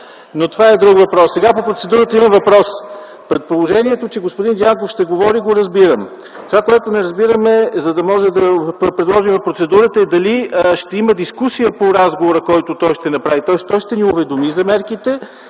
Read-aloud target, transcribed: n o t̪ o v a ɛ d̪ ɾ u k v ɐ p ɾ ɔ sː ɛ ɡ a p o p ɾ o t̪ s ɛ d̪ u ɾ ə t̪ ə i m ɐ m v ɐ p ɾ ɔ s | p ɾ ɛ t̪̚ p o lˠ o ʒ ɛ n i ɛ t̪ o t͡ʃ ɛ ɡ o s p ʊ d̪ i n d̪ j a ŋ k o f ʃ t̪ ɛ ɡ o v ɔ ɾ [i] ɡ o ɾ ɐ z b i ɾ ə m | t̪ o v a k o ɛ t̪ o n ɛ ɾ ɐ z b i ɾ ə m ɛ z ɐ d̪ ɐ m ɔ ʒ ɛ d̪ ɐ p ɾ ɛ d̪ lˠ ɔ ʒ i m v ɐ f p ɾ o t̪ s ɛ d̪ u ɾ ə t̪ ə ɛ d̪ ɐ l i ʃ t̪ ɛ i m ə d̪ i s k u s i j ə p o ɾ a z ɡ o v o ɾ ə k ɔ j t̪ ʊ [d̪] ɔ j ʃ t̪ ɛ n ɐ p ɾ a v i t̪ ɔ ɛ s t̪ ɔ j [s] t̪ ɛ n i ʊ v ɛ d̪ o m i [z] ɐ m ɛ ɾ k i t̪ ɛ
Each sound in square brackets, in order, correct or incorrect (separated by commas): correct, incorrect, incorrect, correct